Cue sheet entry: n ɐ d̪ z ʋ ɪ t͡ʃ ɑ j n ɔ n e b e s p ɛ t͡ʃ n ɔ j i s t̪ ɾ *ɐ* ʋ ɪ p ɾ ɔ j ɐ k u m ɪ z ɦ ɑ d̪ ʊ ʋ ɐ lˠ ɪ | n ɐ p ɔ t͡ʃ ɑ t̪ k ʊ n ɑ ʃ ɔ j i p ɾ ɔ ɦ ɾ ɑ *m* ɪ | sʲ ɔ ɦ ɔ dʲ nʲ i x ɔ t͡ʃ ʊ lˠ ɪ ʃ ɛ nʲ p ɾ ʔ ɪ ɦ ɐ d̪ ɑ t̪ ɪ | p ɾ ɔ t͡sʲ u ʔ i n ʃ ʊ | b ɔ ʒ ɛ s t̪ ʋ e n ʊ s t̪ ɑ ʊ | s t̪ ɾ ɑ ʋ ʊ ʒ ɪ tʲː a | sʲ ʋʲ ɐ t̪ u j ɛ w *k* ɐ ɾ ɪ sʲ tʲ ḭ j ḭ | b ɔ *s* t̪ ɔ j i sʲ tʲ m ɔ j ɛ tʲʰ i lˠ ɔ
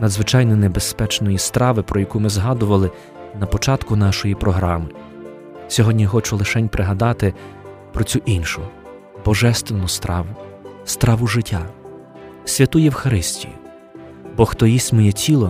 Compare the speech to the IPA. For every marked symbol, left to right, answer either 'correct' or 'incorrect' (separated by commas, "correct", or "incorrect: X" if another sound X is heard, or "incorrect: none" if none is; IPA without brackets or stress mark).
incorrect: ɑ, correct, incorrect: x, incorrect: x